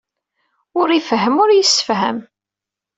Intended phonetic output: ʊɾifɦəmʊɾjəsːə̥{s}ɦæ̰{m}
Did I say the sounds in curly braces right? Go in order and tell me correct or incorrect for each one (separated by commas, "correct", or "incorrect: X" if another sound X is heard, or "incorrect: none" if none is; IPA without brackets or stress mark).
incorrect: f, correct